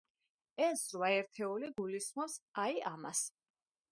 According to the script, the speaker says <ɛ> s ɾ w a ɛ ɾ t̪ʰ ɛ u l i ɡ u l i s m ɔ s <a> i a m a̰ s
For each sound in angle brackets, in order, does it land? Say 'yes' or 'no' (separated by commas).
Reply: yes, yes